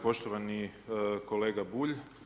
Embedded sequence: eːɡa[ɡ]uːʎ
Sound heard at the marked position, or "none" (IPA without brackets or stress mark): b